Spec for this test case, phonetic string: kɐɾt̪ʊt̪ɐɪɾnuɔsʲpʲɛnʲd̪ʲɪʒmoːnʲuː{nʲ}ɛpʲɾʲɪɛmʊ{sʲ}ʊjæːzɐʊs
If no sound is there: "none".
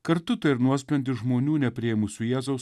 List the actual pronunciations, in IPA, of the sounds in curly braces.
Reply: nʲ, sʲ

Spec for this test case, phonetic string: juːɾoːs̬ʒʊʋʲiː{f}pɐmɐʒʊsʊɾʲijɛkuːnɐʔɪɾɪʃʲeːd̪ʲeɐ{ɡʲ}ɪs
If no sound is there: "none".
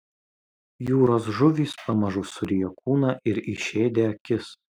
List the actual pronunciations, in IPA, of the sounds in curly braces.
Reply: s, kʲ

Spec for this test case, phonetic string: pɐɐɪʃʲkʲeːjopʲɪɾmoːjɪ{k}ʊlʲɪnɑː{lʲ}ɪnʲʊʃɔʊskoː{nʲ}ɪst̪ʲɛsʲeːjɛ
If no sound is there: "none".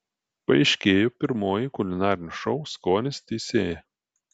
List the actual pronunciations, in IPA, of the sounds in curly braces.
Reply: k, ɾʲ, nʲ

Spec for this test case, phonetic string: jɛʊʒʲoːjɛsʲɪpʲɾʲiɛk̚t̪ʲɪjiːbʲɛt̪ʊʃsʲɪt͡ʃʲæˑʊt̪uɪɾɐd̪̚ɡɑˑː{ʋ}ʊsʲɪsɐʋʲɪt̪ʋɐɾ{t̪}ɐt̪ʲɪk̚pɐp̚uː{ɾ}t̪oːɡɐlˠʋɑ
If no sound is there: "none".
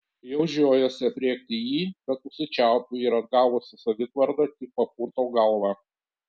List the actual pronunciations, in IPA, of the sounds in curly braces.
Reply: ʋ, d̪, ɾ

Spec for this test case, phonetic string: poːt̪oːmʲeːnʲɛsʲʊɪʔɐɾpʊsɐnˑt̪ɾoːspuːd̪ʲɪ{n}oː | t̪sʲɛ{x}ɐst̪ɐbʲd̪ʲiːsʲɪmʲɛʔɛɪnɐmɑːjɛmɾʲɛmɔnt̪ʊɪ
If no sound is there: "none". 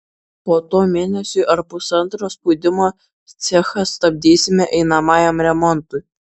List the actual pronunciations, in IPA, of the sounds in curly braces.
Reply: m, x

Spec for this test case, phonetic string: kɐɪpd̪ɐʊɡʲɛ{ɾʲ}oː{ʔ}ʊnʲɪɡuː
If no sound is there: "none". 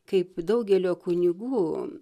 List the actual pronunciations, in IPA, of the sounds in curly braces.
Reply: lʲ, k

